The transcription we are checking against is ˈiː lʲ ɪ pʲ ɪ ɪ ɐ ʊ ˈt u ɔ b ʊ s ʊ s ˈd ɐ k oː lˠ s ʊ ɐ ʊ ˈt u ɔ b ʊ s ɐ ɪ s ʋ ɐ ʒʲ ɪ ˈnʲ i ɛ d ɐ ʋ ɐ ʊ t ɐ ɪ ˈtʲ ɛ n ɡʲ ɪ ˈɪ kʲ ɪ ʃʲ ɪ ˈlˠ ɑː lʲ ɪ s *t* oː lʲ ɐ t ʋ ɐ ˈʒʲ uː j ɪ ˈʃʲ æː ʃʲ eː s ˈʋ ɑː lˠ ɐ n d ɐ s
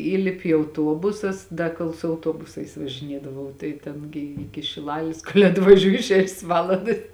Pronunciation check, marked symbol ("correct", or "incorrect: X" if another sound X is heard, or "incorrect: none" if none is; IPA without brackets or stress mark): incorrect: k